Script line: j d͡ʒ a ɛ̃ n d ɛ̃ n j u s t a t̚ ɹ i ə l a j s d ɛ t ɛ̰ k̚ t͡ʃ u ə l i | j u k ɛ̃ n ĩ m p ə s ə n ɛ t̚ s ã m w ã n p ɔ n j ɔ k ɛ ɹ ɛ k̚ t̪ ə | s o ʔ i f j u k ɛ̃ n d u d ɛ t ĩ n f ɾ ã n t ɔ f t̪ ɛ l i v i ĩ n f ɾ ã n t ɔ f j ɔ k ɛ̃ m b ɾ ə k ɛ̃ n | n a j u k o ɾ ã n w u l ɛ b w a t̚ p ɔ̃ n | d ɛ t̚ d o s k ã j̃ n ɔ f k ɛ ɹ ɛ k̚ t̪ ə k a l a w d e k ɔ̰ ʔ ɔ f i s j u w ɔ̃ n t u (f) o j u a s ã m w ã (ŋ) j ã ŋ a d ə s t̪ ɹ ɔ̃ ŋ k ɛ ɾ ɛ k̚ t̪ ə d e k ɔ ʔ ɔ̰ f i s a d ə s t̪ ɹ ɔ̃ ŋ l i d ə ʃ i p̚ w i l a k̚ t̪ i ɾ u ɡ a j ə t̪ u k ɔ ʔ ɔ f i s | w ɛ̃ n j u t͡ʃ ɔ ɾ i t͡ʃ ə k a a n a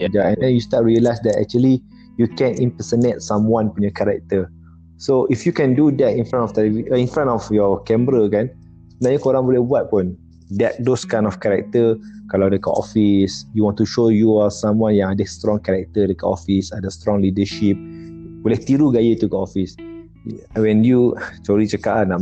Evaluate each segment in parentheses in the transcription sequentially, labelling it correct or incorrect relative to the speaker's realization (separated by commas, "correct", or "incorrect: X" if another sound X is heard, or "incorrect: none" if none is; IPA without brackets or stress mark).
incorrect: ʃ, incorrect: n